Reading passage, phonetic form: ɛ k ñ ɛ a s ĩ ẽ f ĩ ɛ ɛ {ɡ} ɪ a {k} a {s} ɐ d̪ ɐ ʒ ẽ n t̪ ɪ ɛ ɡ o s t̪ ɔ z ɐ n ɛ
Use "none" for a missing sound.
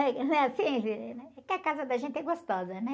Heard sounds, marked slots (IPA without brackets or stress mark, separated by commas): k, k, z